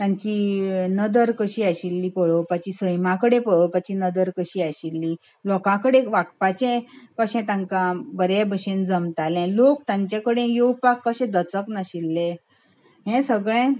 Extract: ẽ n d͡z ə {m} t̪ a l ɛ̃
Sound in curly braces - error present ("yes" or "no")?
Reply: no